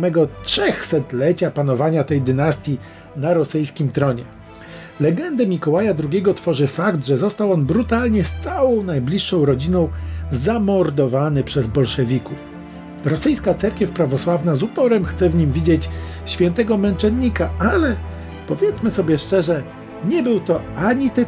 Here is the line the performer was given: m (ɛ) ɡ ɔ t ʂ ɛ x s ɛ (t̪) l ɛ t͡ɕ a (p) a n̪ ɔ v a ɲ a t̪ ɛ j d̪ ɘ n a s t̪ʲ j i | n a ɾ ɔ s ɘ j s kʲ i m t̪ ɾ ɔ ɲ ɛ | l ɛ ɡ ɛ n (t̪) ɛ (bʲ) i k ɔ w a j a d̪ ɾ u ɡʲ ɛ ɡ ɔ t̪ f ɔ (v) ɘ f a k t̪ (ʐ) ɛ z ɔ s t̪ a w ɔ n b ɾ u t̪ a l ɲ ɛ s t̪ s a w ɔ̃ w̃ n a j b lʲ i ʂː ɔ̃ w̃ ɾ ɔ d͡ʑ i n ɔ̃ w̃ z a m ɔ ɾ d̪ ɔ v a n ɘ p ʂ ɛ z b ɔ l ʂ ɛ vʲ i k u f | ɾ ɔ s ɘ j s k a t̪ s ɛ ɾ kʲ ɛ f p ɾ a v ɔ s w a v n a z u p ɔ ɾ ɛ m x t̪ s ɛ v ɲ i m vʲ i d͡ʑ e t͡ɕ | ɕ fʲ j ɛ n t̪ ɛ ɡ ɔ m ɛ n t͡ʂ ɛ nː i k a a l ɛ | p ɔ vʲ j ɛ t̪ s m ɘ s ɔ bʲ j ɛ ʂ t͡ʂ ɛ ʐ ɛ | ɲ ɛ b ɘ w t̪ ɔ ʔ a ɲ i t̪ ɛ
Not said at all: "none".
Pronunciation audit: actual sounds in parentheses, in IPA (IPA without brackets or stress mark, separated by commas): ɛ, t̪, p, d̪, mʲ, ʐ, ʐ